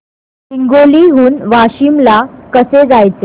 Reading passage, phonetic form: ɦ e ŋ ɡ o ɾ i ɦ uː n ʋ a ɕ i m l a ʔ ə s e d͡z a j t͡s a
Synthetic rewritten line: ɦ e ŋ ɡ o l i ɦ uː n ʋ a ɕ i m l a k ə s e d͡z a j t͡s e

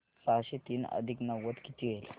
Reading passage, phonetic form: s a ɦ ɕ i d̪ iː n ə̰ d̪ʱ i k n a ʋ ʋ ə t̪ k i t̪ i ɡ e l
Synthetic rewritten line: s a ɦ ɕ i t̪ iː n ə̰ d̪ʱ i k n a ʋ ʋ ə t̪ k i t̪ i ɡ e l

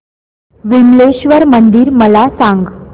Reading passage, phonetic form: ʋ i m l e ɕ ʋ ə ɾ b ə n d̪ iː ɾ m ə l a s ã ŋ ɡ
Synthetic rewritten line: ʋ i m l e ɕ ʋ ə ɾ m ə n d̪ iː ɾ m ə l a s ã ŋ ɡ

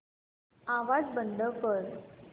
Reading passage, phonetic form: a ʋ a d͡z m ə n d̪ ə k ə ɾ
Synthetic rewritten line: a ʋ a d͡z b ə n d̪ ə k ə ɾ

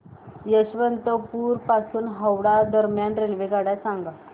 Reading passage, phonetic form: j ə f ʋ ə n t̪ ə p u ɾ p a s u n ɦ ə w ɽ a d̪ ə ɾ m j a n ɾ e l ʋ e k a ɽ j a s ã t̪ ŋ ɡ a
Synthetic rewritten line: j ə ɕ ʋ ə n t̪ ə p u ɾ p a s uː n ɦ ə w ɽ a d̪ ə ɾ m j a n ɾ e l ʋ e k a ɽ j a s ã ŋ ɡ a

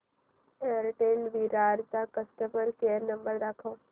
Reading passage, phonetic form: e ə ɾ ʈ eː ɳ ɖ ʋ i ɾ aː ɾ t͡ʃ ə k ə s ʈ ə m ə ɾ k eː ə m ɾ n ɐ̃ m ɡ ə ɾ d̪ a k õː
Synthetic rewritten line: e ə ɾ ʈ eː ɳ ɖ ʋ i ɾ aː ɾ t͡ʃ a k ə s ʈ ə m ə ɾ k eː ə ɾ n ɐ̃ m b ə ɾ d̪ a kʰ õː

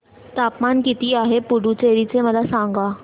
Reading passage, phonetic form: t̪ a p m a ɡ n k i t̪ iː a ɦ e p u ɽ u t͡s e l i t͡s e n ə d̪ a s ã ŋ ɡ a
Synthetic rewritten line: t̪ a p m a n k i t̪ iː a ɦ e p u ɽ u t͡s e ɾ i t͡s e m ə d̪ a s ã ŋ ɡ a

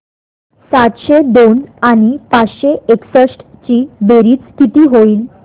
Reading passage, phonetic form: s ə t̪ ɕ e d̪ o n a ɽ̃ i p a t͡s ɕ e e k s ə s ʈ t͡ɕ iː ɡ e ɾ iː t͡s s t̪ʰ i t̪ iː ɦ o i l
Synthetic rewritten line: s a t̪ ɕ e d̪ o n a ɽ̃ i p a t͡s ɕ e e k s ə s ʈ t͡ɕ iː b e ɾ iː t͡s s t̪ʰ i t̪ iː ɦ o iː l

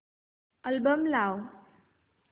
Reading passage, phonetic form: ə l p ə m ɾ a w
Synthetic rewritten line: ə l b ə m l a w

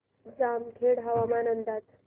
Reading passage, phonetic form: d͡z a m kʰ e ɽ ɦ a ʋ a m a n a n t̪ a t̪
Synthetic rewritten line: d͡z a m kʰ e ɽ ɦ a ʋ a m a n ə n d̪ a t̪

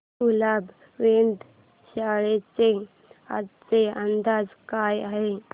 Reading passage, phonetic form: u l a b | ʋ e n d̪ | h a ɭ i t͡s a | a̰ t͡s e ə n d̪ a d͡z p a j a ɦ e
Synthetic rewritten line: u l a b | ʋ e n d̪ | ɕ a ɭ e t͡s e | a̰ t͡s e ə n d̪ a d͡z k a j a ɦ e

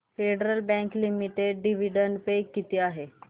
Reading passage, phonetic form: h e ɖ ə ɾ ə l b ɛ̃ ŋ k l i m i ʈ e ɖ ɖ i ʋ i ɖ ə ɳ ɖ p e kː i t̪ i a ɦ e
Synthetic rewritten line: f e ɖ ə ɾ ə l b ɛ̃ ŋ k l i m i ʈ e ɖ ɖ i ʋ i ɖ ə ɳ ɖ p e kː i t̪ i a ɦ e

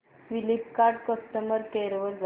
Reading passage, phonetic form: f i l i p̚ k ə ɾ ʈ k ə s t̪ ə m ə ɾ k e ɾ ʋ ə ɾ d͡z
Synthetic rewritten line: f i l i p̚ k a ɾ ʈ k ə s t̪ ə m ə ɾ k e ɾ ʋ ə ɾ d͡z

